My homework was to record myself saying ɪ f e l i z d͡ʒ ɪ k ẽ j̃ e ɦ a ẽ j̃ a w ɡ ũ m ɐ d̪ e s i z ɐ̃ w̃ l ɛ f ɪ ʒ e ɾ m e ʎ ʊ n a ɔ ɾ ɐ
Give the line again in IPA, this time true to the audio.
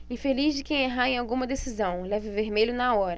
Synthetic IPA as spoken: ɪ f e l i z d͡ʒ ɪ k ẽ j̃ e ɦ a ẽ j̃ a w ɡ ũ m ɐ d̪ e s i z ɐ̃ w̃ l ɛ v ɪ v e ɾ m e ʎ ʊ n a ɔ ɾ ɐ